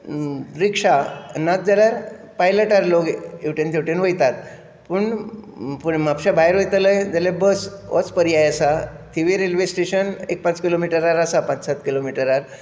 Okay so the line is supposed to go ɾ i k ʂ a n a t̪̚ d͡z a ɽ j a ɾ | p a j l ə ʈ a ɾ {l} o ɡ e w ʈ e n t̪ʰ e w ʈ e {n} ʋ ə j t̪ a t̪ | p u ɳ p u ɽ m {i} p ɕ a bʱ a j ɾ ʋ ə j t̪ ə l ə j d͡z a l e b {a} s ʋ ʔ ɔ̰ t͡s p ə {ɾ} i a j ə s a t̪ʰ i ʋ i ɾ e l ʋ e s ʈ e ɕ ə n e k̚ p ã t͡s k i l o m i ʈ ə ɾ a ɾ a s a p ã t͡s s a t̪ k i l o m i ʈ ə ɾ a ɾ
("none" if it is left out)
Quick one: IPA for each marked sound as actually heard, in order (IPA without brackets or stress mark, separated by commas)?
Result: l, n, a, ə, ɾ